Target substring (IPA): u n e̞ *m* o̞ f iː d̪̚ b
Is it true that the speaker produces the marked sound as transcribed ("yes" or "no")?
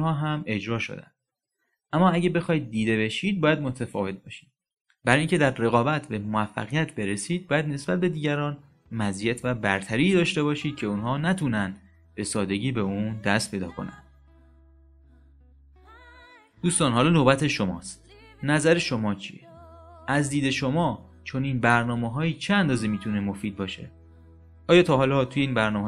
yes